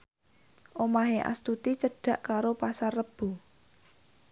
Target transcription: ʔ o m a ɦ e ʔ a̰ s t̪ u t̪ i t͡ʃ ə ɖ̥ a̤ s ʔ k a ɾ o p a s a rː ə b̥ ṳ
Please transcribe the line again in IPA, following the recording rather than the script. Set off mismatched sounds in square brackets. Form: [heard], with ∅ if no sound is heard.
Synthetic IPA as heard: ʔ o m a ɦ e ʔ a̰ s t̪ u t̪ i t͡ʃ ə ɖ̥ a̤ [∅] ʔ k a ɾ o p a s a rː ə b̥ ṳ